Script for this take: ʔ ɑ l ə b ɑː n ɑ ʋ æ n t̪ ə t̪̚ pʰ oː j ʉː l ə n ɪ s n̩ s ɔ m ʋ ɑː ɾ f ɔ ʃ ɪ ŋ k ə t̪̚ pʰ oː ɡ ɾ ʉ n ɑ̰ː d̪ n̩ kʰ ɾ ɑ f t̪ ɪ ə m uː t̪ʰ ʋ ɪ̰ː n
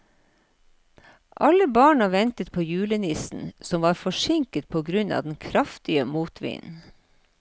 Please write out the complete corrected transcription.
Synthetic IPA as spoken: ʔ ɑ l ə b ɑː ɳ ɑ ʋ ɛ n t̪ ə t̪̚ pʰ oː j ʉː l ə n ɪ s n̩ s ɔ m ʋ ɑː ɾ f ɔ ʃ ɪ ŋ k ə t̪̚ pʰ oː ɡ ɾ ʉ n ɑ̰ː d̪ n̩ kʰ ɾ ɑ f t̪ ɪ ə m uː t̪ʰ ʋ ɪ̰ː n